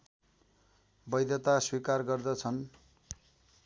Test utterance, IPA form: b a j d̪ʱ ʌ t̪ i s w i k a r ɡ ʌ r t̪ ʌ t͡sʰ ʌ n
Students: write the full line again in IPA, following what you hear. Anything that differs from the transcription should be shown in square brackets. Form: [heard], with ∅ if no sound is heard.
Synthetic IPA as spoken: b [ʌ] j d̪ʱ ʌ t̪ [a] s w i k a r ɡ ʌ r [d̪] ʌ t͡sʰ ʌ n